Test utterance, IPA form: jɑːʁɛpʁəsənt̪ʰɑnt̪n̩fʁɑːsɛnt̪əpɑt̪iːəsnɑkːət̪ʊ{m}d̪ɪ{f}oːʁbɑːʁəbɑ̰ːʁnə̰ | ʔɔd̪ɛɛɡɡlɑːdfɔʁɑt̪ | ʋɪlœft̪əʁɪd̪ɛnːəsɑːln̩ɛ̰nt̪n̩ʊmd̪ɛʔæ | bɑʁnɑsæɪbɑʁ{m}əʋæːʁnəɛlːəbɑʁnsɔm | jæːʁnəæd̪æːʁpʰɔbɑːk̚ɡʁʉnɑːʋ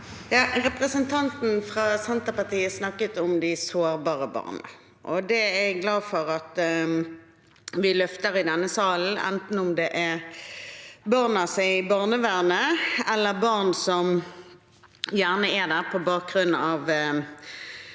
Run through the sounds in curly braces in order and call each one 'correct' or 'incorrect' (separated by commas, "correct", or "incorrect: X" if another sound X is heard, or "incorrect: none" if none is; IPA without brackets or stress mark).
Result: correct, incorrect: s, incorrect: n